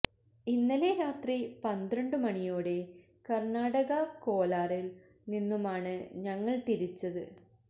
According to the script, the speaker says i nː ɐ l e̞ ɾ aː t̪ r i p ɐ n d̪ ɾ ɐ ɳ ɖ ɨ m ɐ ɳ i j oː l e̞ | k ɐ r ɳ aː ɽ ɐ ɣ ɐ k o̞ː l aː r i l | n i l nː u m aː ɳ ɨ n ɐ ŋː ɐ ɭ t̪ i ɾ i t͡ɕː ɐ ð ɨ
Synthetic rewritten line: i nː ɐ l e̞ ɾ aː t̪ r i p ɐ n d̪ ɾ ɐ ɳ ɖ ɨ m ɐ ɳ i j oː ɽ e̞ | k ɐ r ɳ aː ɽ ɐ ɣ ɐ k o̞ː l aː r i l | n i nː u m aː ɳ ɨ ɲ ɐ ŋː ɐ ɭ t̪ i ɾ i t͡ɕː ɐ ð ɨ